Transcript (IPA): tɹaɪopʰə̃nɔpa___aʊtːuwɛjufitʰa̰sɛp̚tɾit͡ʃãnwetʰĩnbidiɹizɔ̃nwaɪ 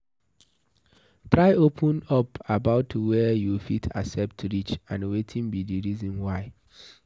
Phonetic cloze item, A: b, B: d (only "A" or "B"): A